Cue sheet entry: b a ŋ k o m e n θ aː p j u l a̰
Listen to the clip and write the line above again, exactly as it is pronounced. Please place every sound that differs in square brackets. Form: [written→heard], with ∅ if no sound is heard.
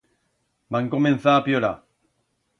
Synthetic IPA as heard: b a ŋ k o m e n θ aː p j [u→o] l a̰